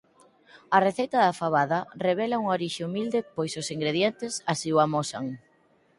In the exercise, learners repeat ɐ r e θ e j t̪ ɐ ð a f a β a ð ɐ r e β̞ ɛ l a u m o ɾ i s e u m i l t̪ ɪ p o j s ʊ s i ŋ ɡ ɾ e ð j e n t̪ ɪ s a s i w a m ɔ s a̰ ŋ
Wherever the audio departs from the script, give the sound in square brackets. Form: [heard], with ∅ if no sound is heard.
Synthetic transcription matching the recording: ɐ r e θ e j t̪ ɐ ð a f a β a ð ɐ r e β̞ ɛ l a u [ŋ] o ɾ i [ʃ] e u m i l [d̪] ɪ p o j s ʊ s i ŋ ɡ ɾ e ð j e n t̪ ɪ s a s i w a m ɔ s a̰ ŋ